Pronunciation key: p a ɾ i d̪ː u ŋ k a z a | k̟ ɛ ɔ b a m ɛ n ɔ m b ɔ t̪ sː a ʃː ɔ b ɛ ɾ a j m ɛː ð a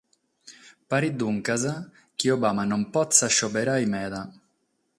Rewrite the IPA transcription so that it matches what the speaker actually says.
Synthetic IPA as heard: p a ɾ i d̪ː u ŋ k a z a | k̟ i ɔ b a m a n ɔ m p ɔ t̪ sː a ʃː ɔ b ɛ ɾ a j m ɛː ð a